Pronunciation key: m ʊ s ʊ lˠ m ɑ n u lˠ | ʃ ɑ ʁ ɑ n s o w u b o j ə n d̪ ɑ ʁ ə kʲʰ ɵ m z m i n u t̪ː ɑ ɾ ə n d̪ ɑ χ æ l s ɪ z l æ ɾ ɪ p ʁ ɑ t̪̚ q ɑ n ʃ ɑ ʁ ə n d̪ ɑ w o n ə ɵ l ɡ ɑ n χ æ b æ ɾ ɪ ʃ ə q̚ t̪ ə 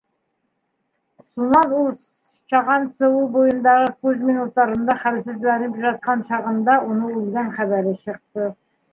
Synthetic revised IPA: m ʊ s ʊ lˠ m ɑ n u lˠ | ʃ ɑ ʁ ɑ n s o w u b o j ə n d̪ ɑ ʁ ə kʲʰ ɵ z m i n u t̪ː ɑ ɾ ə n d̪ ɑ χ æ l s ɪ z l æ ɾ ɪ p ʒ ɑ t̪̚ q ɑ n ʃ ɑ ʁ ə n d̪ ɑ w o n ə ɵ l ɡ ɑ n χ æ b æ ɾ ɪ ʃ ə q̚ t̪ ə